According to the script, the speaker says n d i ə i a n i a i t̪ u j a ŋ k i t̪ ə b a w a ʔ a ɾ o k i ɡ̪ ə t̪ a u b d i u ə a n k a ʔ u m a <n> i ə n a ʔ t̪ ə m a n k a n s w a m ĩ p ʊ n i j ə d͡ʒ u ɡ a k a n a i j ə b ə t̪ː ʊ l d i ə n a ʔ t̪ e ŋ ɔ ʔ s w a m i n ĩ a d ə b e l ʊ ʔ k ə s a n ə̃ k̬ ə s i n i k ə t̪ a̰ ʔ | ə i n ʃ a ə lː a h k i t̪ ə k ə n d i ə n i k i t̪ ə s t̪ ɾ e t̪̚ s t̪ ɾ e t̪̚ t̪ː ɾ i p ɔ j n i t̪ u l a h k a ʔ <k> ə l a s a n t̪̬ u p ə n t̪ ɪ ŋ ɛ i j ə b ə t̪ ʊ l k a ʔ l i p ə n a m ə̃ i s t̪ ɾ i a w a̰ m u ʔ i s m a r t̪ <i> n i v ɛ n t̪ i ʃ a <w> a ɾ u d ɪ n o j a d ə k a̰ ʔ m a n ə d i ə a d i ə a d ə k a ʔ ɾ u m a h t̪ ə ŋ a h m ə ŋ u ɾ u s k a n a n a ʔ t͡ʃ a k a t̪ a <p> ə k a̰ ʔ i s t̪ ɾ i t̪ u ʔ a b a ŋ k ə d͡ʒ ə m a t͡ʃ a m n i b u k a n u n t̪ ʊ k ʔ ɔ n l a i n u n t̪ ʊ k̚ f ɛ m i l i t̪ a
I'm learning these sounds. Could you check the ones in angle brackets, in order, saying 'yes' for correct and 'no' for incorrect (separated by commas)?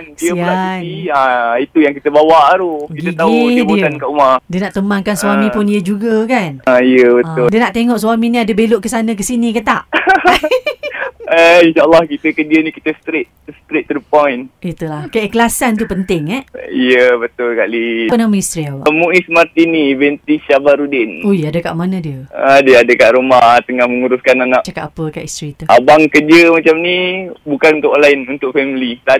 no, yes, yes, no, yes